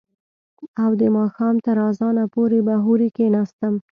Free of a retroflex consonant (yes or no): yes